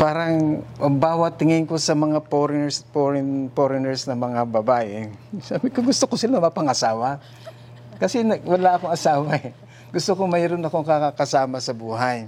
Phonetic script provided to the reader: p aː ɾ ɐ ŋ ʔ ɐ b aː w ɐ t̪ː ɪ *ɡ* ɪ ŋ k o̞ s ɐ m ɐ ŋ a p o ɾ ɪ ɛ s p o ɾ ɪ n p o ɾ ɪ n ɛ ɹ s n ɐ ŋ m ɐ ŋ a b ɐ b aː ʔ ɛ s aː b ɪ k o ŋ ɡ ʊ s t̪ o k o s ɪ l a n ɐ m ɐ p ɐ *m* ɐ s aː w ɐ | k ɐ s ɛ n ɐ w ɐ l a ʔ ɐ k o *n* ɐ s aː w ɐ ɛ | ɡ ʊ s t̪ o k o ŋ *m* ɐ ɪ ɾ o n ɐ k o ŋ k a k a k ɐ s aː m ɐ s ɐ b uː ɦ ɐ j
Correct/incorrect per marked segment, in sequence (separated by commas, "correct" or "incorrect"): incorrect, incorrect, incorrect, correct